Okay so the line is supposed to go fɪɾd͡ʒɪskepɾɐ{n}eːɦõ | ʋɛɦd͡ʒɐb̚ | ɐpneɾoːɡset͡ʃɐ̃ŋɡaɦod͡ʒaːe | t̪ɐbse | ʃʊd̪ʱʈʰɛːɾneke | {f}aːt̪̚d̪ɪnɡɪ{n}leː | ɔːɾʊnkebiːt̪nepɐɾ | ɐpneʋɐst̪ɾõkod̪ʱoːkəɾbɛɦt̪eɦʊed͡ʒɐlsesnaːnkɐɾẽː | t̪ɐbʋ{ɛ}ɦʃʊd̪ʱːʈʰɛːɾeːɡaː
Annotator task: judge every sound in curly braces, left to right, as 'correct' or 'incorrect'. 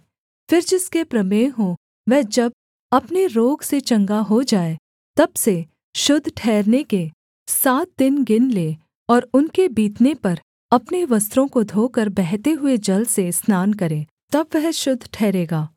incorrect, incorrect, correct, correct

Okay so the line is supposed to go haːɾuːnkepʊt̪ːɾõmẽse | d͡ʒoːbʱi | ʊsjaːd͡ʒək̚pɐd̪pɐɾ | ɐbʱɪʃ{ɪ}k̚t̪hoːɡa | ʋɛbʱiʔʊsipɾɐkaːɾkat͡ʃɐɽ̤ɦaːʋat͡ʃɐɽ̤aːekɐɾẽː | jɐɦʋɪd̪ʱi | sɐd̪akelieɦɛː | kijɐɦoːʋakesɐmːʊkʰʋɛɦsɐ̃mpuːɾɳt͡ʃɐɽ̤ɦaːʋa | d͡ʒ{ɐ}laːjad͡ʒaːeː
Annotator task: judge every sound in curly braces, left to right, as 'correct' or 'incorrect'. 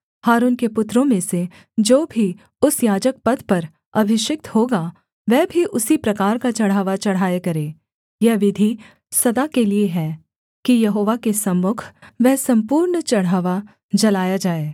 correct, correct

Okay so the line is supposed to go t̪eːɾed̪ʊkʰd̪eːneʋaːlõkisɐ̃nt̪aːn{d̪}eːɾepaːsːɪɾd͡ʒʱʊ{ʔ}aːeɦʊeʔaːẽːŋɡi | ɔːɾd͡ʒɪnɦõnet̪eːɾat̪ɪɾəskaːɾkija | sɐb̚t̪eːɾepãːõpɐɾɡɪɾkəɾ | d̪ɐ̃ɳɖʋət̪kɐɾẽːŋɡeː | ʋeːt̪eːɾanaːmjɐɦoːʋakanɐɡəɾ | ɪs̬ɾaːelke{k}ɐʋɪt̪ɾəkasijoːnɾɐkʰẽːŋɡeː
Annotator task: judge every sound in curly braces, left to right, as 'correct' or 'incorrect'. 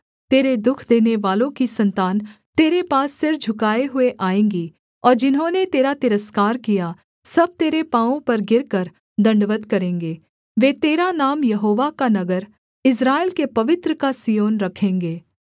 incorrect, incorrect, incorrect

